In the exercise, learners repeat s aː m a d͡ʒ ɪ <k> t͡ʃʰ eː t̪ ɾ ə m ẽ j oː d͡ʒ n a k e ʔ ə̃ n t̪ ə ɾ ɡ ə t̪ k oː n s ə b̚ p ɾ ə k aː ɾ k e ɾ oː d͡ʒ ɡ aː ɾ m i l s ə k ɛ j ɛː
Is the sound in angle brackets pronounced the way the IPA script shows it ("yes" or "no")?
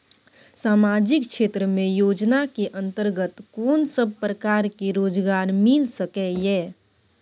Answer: yes